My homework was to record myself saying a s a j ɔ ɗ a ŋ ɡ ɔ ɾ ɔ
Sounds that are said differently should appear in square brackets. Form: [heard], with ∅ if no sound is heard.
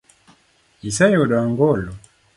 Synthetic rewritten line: [i] s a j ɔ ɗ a ŋ ɡ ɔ [l] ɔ